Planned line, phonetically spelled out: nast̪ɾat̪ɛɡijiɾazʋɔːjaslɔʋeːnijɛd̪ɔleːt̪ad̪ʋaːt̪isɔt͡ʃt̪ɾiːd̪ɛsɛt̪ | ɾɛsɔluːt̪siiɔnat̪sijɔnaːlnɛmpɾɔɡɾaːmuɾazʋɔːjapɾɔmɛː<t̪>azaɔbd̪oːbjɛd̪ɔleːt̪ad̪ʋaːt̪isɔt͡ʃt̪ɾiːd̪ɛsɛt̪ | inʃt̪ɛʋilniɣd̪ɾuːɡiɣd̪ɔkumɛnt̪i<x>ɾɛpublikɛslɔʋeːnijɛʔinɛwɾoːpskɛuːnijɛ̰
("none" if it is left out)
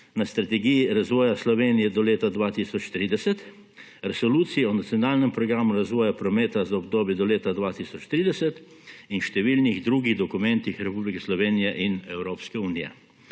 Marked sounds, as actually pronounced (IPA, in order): t̪, x

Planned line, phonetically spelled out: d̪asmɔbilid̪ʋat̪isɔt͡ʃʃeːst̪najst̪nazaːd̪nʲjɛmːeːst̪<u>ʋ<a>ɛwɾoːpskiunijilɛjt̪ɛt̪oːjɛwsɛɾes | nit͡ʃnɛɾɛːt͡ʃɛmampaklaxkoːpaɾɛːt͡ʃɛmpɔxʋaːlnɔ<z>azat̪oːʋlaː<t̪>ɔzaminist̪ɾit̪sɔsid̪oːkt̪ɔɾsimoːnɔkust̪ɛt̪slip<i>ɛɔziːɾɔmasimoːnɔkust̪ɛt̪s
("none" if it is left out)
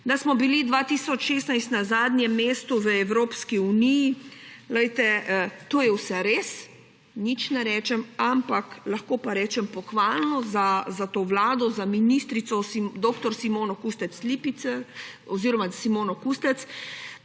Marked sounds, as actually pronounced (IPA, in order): u, ə, z, d̪, i

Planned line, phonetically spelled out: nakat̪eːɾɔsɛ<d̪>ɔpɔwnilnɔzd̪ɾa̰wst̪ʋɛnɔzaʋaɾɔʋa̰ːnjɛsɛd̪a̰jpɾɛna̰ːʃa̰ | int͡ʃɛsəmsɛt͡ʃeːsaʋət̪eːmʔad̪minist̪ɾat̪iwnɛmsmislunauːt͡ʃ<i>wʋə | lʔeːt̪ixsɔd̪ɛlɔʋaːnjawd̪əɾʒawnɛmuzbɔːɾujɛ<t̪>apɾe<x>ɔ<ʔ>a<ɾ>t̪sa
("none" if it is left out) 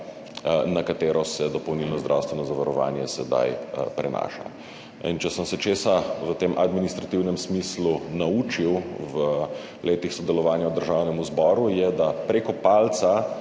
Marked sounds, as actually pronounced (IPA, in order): d̪, i, d̪, k, p, l

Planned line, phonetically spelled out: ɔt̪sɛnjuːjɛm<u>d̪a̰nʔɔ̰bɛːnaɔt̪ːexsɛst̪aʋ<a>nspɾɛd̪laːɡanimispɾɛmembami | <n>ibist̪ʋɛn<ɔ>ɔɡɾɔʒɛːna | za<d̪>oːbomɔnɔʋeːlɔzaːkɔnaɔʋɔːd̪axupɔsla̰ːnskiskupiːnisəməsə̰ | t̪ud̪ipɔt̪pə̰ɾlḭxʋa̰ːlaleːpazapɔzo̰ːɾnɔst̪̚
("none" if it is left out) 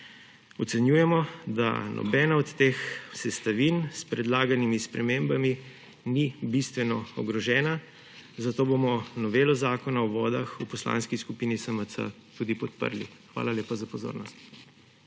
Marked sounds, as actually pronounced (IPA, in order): ɔ, i, n, ɔ, t̪

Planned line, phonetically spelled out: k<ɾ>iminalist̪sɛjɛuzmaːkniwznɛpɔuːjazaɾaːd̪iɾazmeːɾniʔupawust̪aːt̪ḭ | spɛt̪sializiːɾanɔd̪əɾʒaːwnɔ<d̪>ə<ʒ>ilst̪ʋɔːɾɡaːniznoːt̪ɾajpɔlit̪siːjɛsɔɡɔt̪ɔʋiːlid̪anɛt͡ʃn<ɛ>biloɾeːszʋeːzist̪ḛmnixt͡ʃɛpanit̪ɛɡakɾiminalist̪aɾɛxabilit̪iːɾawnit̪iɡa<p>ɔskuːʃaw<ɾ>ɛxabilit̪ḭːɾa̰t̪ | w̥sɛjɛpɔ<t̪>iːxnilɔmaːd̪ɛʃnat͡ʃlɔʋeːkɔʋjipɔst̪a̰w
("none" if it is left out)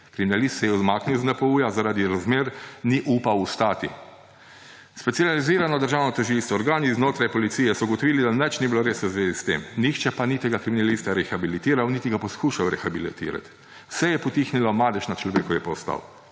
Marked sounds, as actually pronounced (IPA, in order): ɾ, t̪, ʒ, i, p, ɾ, t̪

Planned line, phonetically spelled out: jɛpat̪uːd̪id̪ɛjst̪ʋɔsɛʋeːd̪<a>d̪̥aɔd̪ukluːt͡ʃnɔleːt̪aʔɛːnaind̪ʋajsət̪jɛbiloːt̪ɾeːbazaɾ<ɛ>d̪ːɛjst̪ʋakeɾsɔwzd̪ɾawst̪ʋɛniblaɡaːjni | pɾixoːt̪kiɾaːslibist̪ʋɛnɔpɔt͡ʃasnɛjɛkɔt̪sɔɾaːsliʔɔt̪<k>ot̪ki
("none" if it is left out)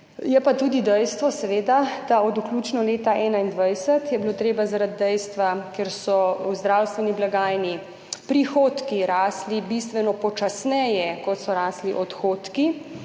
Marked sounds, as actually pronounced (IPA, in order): a, a, x

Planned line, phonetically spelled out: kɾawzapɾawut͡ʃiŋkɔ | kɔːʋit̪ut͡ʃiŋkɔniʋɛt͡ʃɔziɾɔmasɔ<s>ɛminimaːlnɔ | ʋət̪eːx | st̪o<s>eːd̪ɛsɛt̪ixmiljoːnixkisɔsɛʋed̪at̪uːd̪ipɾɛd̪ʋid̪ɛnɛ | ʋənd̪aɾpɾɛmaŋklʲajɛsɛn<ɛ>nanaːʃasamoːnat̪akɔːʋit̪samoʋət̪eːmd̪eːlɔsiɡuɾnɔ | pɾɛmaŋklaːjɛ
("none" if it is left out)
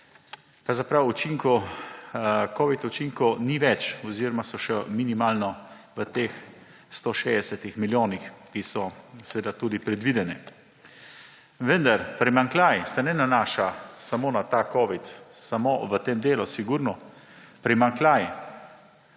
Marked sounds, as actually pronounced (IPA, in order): ʃ, ʃ, ɛ

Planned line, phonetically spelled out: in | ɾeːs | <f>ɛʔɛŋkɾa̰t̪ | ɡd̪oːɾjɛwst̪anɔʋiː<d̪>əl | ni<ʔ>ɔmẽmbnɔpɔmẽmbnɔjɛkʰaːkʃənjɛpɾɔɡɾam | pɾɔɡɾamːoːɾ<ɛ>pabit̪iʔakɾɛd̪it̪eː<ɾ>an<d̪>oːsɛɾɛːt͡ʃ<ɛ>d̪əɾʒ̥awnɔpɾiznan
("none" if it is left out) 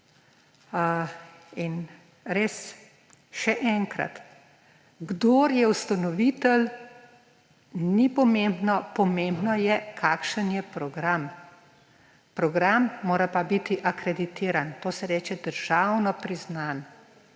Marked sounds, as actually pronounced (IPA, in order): ʃ, t̪, p, a, ɾ, t̪, ɛ

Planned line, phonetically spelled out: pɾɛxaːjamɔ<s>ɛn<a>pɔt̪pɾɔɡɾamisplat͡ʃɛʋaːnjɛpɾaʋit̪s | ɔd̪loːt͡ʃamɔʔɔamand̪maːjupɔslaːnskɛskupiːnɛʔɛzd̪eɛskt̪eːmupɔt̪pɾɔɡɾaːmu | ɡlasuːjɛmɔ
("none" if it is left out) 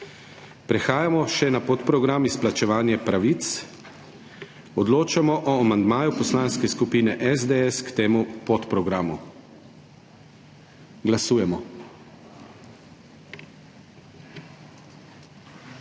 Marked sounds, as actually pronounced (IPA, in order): ʃ, a

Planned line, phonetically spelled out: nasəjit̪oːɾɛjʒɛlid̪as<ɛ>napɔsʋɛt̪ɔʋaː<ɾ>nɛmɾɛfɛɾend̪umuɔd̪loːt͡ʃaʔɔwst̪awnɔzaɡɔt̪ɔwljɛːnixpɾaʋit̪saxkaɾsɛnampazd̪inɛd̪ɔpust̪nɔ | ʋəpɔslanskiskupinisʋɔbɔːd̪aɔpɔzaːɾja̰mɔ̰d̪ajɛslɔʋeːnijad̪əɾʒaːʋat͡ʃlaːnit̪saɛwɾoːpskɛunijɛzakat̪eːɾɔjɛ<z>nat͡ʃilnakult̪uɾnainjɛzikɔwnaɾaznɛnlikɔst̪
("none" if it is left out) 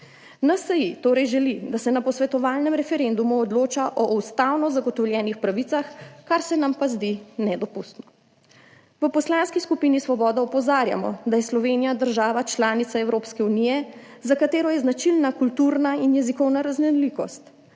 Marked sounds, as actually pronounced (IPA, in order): ɛ, l, z

